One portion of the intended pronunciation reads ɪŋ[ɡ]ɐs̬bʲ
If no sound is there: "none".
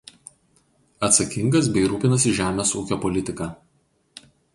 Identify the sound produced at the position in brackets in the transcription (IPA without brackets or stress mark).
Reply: ɡ